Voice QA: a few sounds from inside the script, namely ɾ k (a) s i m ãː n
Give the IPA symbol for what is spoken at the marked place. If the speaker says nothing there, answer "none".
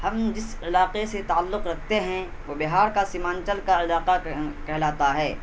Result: a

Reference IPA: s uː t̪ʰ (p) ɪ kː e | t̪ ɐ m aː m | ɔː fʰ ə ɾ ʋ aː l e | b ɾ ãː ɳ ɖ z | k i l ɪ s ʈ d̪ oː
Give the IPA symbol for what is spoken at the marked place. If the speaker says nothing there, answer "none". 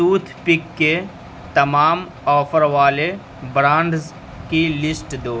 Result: p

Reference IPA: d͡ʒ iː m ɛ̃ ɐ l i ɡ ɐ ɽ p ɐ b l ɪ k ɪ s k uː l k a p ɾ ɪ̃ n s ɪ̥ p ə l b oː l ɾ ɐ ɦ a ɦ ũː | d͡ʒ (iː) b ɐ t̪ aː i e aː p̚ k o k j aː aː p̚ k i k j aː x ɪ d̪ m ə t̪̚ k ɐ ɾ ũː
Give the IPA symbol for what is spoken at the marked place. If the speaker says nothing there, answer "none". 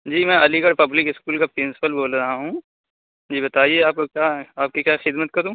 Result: iː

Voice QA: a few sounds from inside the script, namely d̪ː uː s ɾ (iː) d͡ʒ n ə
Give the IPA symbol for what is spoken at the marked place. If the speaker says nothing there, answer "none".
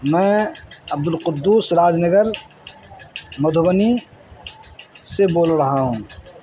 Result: aː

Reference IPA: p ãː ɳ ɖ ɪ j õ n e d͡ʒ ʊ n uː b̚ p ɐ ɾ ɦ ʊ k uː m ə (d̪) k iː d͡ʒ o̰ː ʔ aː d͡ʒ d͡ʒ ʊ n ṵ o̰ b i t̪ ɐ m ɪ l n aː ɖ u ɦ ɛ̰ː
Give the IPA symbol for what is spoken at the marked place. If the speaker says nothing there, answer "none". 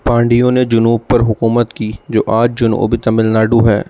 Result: t̪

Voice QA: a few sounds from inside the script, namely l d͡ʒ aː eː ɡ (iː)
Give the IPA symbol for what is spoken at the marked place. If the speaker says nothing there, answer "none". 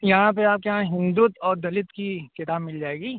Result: iː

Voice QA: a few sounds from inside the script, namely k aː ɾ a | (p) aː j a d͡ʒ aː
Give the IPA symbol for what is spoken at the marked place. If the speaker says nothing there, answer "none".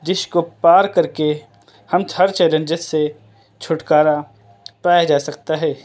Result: p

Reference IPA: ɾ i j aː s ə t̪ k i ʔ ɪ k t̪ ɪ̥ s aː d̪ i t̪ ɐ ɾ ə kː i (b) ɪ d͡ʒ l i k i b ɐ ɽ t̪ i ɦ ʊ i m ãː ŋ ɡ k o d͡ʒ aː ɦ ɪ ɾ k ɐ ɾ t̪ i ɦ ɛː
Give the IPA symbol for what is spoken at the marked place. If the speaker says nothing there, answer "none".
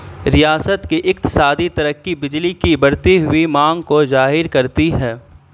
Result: b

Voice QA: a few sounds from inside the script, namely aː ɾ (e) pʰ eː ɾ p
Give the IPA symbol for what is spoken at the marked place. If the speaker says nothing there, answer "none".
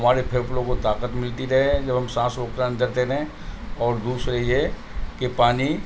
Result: e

